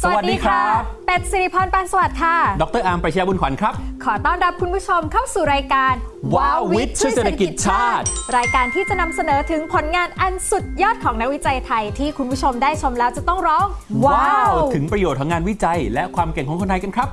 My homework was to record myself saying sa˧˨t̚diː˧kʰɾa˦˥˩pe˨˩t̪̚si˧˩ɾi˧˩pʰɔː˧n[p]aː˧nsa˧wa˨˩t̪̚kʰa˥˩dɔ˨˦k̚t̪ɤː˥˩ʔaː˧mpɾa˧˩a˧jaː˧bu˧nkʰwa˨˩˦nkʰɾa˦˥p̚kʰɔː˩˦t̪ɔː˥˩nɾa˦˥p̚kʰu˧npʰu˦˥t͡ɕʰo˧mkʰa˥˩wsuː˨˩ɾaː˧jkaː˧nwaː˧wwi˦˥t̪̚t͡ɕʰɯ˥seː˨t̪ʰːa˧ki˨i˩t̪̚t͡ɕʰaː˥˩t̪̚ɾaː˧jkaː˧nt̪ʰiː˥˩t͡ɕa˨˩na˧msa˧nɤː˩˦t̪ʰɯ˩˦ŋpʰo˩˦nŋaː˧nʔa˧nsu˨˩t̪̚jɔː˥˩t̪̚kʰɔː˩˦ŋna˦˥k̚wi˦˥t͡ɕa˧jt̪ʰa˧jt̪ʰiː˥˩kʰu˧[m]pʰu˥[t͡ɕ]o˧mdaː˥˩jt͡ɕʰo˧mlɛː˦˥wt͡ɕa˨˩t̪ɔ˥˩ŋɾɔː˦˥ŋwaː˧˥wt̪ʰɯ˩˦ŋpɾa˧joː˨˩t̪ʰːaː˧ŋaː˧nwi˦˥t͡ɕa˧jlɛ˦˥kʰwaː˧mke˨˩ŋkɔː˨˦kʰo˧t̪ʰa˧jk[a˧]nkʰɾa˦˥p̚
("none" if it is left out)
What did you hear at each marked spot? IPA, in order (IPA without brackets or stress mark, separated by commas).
p, n, t͡ɕʰ, a˧